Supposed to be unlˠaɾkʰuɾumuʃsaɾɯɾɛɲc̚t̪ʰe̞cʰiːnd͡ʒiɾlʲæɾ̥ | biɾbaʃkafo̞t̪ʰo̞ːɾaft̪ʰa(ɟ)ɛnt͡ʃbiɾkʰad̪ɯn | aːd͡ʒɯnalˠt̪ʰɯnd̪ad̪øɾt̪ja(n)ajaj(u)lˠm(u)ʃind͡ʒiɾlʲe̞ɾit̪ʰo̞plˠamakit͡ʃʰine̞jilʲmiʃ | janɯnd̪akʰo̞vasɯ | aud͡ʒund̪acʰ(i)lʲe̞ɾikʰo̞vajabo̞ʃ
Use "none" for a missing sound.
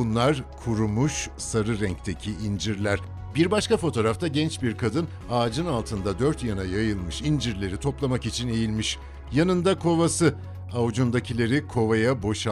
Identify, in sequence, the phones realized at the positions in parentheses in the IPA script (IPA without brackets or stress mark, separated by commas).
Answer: ɟ, n, ɯ, ɯ, i